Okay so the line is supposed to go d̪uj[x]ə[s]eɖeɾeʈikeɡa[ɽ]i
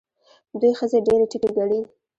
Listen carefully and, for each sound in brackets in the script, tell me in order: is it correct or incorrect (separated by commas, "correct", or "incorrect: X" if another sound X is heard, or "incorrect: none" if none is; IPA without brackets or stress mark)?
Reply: correct, incorrect: z, correct